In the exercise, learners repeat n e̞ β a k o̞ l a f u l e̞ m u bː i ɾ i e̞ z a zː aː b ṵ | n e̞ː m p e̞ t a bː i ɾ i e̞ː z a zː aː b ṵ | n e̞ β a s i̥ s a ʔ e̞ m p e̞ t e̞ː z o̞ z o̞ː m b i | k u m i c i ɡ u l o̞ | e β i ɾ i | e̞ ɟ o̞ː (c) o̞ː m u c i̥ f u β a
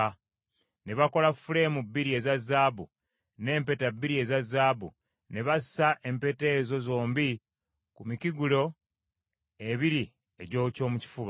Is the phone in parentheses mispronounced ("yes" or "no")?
no